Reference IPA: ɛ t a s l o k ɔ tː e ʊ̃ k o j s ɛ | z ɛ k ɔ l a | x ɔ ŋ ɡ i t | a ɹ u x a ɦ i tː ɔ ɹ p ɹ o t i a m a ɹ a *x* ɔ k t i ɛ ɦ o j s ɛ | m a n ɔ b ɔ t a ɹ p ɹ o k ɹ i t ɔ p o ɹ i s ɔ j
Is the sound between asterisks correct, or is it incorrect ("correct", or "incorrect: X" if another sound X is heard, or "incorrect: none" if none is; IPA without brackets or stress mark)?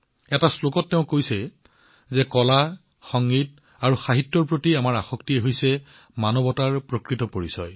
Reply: correct